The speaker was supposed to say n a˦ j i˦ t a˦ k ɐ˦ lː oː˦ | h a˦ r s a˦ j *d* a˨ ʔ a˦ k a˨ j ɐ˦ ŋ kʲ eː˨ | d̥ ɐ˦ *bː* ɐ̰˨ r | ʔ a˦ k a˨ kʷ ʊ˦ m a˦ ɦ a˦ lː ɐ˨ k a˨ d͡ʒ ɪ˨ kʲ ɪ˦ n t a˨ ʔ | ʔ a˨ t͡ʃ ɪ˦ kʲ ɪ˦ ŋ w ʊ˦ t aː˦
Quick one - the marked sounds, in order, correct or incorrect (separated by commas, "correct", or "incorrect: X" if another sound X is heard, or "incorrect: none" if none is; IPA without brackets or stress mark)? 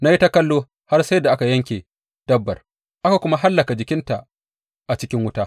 correct, correct